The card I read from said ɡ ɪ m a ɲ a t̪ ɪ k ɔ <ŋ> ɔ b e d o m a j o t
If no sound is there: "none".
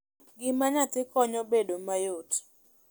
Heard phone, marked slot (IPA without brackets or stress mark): ɲ